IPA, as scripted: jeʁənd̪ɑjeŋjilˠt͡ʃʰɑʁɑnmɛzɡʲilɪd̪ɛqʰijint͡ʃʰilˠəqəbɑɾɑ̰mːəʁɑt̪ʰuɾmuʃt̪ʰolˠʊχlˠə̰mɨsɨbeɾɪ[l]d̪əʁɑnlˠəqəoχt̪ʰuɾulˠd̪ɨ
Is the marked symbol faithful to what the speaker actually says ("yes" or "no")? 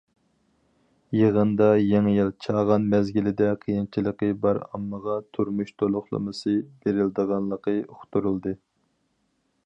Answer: yes